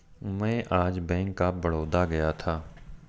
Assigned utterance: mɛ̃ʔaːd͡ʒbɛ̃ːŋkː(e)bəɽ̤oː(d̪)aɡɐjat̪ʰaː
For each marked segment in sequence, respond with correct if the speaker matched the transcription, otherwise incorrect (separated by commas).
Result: incorrect, correct